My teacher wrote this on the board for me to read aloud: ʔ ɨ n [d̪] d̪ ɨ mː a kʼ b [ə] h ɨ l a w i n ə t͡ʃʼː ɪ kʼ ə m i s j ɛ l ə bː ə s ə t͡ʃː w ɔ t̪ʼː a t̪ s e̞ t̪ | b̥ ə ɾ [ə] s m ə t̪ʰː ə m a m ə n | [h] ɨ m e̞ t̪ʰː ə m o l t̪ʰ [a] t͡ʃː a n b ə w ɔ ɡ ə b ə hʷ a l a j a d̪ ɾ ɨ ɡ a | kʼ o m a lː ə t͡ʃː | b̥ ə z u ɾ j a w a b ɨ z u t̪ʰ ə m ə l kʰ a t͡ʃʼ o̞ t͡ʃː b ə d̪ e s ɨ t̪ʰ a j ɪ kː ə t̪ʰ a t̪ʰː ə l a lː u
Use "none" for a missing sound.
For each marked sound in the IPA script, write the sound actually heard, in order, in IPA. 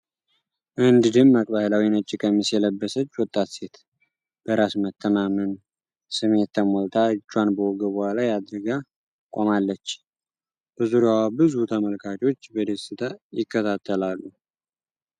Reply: d̪, a, a, s, a

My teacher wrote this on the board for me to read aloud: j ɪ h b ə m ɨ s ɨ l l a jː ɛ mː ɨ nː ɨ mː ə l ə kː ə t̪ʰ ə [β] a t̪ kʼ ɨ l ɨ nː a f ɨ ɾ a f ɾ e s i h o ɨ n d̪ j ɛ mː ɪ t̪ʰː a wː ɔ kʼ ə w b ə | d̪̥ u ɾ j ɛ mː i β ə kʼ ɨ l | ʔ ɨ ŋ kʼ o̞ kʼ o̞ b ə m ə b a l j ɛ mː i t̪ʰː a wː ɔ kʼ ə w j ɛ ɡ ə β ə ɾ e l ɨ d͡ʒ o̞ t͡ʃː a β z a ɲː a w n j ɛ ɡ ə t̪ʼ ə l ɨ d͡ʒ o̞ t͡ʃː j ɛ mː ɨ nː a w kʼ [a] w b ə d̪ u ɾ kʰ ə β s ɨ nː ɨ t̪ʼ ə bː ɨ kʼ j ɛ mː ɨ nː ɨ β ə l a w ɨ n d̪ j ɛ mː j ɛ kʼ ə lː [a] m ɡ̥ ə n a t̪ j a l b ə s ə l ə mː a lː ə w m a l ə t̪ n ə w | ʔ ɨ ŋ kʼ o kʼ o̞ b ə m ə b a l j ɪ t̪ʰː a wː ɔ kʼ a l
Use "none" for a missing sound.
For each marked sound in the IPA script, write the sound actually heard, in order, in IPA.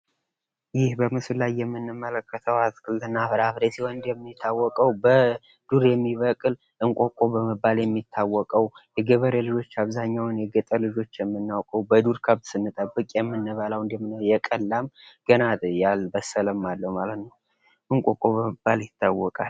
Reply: w, ə, a

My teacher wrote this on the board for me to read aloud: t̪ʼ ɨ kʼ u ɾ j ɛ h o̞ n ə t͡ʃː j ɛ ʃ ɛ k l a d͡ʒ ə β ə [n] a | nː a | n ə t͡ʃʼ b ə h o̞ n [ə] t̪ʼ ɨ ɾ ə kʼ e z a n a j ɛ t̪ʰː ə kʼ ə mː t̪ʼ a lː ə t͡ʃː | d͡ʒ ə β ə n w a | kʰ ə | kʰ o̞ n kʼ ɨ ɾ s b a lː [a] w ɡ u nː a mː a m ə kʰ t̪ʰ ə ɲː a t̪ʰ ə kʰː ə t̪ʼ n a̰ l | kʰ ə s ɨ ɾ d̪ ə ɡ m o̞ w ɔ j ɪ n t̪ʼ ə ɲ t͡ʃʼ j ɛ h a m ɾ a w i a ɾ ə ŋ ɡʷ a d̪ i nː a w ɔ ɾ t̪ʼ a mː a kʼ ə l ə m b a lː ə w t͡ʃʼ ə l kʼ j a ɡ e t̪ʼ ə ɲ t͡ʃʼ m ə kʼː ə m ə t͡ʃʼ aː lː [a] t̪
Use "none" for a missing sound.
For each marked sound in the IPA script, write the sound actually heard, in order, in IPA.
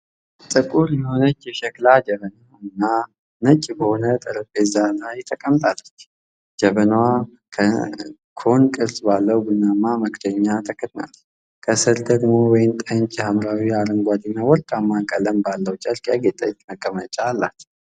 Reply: n, ə, ə, a

